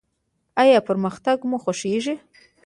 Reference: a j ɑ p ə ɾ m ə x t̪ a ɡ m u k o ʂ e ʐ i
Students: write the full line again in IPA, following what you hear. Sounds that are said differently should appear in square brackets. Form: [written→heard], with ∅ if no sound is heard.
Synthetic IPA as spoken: a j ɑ p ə ɾ m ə x t̪ a ɡ m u [k→x] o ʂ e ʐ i